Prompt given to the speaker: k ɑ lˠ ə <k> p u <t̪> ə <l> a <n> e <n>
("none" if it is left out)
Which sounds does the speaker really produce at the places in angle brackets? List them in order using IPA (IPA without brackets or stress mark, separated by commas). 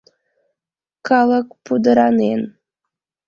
k, d̪, ɾ, n, n